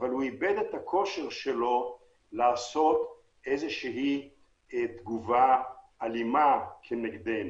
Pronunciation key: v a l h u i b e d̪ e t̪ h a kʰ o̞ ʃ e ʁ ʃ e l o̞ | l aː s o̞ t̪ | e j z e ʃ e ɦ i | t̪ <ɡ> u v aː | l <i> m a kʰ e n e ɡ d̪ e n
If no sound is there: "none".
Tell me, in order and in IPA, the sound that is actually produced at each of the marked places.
ɡ, i

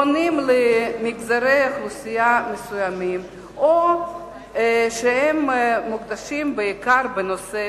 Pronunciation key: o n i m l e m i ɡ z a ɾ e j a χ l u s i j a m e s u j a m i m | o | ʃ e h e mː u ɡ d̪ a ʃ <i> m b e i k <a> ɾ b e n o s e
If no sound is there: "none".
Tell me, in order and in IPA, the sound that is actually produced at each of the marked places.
i, a

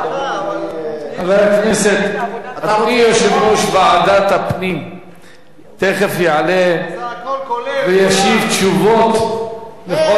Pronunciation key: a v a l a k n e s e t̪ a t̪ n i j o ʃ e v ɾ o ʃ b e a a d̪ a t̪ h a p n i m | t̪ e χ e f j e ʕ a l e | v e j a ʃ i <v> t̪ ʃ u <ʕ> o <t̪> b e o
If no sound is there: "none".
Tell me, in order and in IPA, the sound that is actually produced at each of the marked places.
v, v, t̪

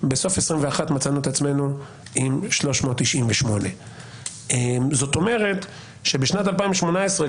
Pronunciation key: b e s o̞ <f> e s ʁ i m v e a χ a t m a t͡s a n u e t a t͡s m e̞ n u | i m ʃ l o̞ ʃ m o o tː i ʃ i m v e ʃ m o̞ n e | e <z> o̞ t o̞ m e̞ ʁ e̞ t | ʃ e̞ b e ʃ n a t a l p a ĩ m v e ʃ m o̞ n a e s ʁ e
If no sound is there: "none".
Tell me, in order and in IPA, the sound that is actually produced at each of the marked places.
f, z

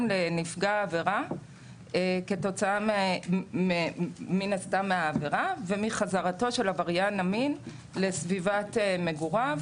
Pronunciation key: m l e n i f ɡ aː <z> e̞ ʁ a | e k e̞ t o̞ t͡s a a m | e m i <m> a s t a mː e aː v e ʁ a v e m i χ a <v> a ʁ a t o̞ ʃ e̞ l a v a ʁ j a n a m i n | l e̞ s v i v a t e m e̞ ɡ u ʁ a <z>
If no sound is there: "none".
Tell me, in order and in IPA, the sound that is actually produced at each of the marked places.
v, n, z, v

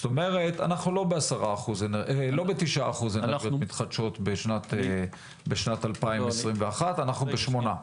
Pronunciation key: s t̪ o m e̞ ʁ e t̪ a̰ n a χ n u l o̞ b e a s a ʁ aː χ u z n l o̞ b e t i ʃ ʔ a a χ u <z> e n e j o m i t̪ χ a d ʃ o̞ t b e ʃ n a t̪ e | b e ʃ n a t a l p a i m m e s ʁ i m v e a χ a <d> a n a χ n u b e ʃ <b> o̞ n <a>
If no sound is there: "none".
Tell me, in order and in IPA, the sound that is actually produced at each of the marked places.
z, t, m, a

